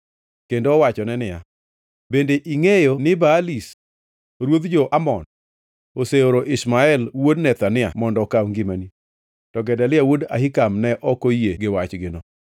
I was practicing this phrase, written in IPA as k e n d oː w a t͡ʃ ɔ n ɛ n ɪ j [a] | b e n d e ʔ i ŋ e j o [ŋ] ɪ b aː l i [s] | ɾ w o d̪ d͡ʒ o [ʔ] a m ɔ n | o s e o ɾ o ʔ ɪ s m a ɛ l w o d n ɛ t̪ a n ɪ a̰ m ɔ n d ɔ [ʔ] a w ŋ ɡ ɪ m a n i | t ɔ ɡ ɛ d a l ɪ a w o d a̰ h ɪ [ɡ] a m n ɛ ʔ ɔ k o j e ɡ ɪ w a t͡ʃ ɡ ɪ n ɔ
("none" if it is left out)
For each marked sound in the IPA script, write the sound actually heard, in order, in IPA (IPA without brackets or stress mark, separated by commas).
a, n, s, ʔ, k, k